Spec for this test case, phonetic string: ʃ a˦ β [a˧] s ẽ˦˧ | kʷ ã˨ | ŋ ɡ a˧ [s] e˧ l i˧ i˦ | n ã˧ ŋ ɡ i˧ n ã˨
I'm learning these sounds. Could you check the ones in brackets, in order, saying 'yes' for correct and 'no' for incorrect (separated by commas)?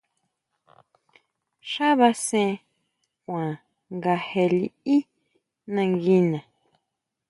yes, no